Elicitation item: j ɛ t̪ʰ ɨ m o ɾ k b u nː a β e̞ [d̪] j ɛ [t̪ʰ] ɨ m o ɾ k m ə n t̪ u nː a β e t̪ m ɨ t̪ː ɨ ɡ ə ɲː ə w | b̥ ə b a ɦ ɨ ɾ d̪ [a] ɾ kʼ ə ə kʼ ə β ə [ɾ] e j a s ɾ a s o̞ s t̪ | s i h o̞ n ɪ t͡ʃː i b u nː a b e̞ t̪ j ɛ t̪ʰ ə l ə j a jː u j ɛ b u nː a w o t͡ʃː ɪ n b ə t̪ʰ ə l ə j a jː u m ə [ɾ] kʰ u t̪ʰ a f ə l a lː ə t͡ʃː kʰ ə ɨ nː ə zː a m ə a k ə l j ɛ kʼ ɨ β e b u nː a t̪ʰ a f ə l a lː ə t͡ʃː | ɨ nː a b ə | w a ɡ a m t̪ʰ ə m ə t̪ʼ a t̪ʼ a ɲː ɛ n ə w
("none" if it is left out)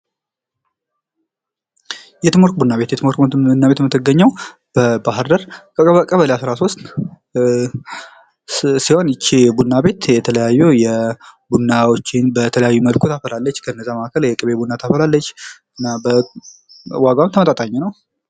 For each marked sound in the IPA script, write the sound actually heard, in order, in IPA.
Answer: t̪, t̪, ə, l, l

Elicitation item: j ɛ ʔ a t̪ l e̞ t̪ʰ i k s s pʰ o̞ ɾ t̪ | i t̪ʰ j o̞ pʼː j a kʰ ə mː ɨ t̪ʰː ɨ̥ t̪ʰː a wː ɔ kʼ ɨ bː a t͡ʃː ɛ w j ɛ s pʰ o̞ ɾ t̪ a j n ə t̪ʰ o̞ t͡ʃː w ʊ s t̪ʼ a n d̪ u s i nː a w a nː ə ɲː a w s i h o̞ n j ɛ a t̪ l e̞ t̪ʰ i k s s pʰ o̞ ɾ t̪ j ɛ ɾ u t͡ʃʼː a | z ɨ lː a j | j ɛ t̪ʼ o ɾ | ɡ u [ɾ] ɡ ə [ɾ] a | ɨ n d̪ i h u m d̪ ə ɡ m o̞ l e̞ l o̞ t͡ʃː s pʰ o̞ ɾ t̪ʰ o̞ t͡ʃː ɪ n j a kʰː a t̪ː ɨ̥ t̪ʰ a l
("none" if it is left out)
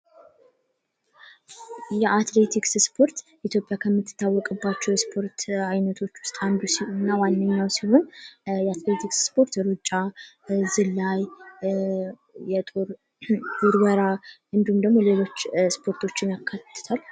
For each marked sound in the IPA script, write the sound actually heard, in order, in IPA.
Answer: ɾ, ɾ

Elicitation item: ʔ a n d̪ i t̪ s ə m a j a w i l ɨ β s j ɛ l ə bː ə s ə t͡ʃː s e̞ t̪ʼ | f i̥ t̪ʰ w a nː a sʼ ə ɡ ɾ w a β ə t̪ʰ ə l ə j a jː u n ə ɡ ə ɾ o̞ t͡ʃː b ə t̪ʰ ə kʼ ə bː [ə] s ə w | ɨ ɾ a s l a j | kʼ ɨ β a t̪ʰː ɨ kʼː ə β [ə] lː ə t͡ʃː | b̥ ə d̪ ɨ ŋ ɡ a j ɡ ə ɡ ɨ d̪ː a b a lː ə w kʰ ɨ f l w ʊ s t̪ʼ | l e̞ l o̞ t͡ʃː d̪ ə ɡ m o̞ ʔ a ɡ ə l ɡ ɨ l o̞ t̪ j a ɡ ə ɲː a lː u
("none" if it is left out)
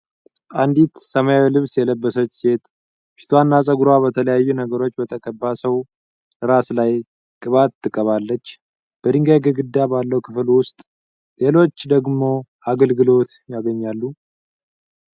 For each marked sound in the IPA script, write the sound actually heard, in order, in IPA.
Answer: a, a

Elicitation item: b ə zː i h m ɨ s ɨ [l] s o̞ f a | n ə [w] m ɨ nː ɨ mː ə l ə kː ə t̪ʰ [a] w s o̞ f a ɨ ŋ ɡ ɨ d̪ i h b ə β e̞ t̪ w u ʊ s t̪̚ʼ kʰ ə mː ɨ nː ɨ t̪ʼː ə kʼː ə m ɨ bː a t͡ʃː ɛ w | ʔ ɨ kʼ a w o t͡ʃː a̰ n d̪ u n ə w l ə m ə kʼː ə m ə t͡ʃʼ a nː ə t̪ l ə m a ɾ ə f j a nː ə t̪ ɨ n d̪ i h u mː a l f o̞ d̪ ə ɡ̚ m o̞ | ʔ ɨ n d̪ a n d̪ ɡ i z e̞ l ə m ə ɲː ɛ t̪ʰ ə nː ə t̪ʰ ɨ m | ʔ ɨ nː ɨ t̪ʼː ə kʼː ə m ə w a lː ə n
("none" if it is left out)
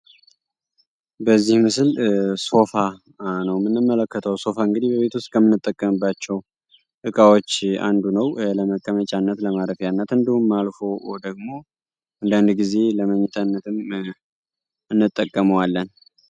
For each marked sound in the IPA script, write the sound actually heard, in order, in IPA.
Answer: l, w, ə

